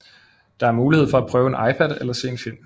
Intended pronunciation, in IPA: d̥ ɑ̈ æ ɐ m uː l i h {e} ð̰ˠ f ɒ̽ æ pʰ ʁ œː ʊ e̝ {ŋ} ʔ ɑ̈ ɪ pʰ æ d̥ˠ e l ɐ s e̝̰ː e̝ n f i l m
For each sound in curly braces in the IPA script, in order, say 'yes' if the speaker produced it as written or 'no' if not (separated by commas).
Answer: yes, no